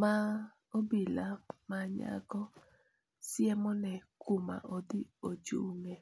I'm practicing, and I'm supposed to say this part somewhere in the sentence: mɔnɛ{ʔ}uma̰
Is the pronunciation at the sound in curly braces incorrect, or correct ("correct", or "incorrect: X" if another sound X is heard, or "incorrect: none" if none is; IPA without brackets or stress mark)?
incorrect: k